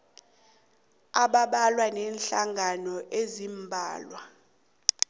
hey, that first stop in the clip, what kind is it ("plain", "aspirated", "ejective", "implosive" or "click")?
implosive